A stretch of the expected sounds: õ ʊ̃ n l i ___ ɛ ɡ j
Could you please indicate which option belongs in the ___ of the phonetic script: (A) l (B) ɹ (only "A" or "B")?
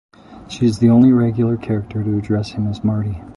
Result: B